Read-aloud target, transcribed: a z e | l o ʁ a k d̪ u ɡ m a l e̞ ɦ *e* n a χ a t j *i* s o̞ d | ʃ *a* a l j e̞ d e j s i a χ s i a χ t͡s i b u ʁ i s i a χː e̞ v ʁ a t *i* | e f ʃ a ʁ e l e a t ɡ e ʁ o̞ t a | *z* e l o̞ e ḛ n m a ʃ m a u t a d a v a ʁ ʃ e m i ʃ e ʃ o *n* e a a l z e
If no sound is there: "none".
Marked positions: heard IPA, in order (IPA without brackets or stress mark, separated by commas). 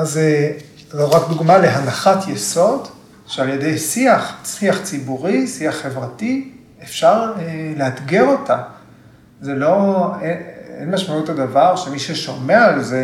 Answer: a, e, e, i, z, m